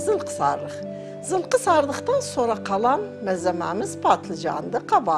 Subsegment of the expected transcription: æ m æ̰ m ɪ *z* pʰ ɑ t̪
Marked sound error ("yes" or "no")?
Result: no